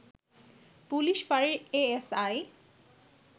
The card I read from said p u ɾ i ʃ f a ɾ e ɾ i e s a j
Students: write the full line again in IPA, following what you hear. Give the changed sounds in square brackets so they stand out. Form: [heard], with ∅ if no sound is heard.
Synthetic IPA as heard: p u [l] i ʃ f a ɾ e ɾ [e] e s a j